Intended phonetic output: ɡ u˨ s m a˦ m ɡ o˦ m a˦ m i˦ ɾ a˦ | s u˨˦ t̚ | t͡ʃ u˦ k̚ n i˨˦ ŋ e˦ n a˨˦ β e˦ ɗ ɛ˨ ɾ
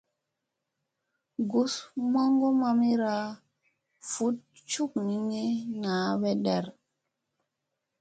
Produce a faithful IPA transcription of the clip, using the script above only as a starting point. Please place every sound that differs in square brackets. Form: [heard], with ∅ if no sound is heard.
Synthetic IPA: ɡ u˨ s m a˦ [ŋ] ɡ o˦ m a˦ m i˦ ɾ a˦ | [f] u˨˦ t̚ | t͡ʃ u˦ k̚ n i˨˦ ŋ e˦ n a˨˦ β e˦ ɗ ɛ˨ ɾ